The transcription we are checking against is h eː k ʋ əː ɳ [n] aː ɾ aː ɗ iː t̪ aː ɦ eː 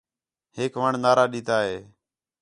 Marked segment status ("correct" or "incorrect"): correct